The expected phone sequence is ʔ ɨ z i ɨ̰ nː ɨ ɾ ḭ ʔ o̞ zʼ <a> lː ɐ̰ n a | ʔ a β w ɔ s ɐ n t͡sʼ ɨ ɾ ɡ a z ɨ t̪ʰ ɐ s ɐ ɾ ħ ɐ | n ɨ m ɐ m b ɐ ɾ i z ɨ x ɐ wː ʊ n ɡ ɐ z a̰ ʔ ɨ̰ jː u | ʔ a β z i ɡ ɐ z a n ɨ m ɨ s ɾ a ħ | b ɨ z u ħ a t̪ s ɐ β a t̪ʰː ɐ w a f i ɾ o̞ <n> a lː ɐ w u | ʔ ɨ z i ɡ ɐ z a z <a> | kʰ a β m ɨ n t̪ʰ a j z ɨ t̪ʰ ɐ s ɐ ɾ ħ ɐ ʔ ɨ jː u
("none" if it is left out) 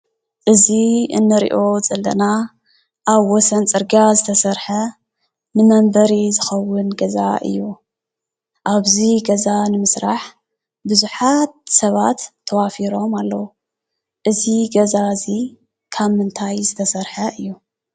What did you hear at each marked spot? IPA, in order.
ɐ, m, i

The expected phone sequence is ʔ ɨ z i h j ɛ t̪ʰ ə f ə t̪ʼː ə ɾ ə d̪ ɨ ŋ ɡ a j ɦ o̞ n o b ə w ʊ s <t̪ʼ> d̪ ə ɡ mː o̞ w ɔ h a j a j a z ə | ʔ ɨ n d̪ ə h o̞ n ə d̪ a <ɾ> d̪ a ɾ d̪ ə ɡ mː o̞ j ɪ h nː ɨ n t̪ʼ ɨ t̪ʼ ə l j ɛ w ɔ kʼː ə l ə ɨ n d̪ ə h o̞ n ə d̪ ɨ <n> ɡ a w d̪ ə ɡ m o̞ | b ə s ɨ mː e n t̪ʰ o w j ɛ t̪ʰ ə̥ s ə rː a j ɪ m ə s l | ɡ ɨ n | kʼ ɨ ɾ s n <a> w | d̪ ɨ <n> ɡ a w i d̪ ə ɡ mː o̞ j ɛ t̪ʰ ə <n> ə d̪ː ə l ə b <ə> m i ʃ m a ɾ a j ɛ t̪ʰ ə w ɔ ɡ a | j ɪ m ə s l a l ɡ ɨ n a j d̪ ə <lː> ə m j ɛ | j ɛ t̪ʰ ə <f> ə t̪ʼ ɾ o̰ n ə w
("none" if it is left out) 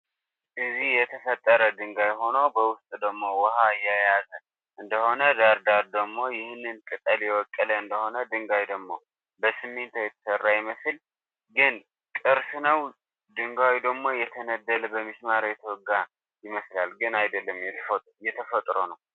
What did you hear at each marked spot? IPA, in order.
t̪ʼ, ɾ, ŋ, ə, ŋ, n, ə, lː, f

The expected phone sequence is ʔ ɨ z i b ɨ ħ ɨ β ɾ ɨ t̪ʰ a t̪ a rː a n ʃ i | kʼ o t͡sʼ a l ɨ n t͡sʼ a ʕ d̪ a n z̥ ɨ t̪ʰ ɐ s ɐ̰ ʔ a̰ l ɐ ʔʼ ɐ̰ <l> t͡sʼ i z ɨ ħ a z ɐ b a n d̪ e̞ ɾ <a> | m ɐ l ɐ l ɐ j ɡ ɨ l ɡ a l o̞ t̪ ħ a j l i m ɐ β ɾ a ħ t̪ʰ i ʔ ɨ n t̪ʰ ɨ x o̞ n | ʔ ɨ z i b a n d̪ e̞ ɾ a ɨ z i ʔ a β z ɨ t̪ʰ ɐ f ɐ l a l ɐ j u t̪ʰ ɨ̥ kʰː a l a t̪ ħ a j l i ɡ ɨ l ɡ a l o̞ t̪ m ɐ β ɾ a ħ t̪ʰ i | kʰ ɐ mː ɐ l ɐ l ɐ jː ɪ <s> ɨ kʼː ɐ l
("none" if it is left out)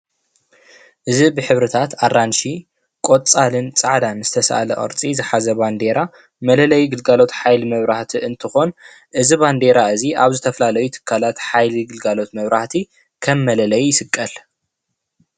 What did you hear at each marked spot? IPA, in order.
ɾ, a, s

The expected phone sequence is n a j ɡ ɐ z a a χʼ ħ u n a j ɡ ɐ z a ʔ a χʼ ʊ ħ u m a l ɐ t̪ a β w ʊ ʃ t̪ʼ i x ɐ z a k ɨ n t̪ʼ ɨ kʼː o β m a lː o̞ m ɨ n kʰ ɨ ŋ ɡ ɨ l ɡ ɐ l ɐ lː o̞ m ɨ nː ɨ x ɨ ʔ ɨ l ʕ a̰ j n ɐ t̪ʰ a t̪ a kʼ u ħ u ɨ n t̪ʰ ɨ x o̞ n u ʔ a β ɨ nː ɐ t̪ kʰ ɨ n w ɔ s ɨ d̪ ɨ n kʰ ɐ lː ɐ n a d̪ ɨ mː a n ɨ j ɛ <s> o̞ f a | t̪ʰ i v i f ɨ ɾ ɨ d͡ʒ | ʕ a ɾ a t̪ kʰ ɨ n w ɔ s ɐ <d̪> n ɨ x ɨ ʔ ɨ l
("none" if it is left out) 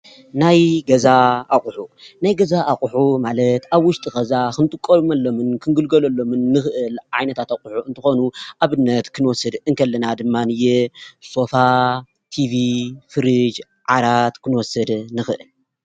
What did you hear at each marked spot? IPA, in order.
s, d̪

